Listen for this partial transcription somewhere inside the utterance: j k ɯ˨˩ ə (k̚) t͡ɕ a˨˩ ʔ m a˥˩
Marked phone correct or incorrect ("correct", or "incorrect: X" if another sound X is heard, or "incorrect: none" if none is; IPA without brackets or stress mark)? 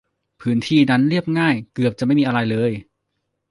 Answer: incorrect: p̚